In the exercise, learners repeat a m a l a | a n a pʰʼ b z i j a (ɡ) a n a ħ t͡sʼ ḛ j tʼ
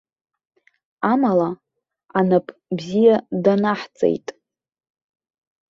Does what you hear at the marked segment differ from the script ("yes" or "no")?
yes